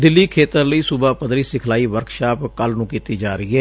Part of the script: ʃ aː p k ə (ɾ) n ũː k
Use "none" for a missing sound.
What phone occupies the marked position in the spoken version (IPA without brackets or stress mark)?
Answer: l